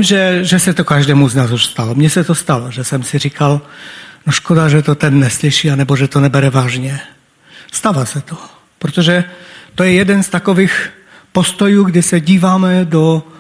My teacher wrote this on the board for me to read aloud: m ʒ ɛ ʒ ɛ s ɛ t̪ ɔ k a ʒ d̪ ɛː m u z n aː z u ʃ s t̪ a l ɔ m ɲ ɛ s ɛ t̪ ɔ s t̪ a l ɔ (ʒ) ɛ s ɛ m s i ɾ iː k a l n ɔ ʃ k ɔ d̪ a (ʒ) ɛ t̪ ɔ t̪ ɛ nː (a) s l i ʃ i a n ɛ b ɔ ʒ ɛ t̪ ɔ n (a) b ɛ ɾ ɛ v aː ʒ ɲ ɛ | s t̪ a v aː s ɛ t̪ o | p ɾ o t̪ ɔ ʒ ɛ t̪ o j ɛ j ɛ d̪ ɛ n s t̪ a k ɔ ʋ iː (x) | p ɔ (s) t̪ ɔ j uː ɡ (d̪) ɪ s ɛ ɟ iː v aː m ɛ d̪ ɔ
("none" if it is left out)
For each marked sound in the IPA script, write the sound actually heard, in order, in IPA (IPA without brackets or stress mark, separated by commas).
ʒ, ʒ, ɛ, ɛ, x, s, d̪